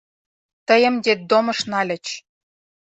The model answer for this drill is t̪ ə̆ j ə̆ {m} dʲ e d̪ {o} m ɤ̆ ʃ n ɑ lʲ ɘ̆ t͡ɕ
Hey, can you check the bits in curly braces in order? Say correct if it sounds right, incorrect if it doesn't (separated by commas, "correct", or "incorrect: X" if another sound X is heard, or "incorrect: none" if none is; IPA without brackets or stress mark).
correct, correct